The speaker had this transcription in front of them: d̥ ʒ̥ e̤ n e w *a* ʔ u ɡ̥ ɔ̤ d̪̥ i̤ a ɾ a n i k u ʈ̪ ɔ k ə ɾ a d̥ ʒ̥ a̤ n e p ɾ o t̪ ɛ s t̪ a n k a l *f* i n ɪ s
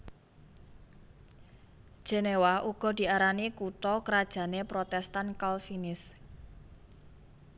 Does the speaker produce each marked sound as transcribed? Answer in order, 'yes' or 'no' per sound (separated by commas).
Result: yes, yes